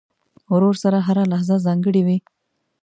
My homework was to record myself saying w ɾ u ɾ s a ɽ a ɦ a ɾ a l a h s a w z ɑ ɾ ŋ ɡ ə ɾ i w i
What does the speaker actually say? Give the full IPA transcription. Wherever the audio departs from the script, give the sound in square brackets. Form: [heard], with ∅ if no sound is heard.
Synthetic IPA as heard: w ɾ [o] ɾ s a [ɾ] a ɦ a ɾ a l a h [z] a [∅] z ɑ [∅] ŋ ɡ ə [ɽ] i w i